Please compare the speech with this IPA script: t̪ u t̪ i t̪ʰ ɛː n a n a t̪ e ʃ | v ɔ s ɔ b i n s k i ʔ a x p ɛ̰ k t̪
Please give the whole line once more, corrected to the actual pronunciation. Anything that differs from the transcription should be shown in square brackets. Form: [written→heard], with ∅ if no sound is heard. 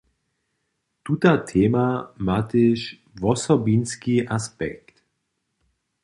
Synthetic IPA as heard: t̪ u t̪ [i→a] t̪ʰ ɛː [n→m] a [n→m] a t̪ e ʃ | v ɔ s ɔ b i n s k i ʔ a [x→s] p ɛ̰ k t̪